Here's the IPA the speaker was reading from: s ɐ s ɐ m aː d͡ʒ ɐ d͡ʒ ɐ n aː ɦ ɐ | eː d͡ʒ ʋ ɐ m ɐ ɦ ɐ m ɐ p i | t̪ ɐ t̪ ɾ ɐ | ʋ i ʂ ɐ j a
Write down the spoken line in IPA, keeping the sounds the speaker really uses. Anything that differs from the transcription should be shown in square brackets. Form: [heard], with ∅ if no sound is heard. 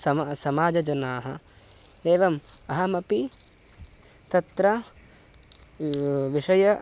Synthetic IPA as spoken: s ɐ s ɐ m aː d͡ʒ ɐ d͡ʒ ɐ n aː ɦ ɐ | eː [∅] ʋ ɐ m ɐ ɦ ɐ m ɐ p i | t̪ ɐ t̪ ɾ ɐ | ʋ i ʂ ɐ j [ɐ]